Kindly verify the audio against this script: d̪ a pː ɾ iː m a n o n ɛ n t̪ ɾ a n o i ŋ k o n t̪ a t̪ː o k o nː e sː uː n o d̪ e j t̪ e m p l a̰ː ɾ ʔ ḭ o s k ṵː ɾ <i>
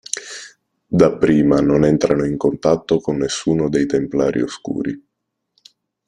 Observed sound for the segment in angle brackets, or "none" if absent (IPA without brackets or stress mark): i